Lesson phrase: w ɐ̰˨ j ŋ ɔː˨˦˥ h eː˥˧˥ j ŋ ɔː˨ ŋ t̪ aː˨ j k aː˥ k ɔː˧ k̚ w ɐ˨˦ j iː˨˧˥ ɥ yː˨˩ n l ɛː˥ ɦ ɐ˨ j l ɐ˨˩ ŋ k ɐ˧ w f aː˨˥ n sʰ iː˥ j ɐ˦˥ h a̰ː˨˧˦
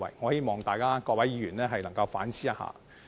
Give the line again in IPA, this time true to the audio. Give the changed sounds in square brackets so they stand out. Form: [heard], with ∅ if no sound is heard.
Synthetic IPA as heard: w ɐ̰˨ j ŋ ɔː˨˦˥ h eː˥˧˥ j [m] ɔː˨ ŋ t̪ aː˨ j k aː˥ k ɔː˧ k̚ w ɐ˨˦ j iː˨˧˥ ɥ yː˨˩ n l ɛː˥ ɦ ɐ˨ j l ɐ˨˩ ŋ k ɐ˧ w f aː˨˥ n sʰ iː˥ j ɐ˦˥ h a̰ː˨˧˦